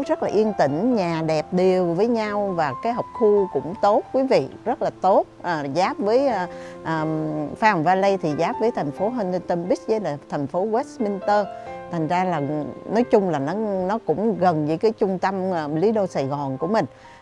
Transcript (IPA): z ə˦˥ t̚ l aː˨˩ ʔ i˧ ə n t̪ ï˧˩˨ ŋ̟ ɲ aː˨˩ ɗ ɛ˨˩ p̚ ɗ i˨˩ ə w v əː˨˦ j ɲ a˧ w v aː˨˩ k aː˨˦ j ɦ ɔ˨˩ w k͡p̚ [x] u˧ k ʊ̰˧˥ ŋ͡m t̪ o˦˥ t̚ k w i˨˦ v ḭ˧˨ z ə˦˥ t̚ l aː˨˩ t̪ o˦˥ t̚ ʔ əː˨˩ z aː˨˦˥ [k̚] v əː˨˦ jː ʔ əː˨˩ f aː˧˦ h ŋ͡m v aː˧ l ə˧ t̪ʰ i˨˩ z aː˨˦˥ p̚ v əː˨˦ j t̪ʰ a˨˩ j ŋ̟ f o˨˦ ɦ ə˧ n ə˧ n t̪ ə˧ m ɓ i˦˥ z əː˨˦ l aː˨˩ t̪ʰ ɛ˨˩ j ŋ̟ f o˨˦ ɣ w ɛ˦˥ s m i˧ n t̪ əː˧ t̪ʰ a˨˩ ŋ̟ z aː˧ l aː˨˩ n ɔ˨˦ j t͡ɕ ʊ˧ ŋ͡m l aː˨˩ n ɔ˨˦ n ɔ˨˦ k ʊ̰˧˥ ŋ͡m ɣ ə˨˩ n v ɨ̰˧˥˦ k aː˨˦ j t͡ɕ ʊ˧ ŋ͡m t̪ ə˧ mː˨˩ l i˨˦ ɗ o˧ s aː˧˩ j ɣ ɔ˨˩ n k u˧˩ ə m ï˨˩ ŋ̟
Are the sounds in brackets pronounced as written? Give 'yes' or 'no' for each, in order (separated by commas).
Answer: yes, no